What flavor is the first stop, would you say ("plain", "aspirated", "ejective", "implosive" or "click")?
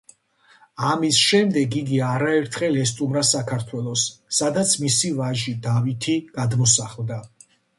plain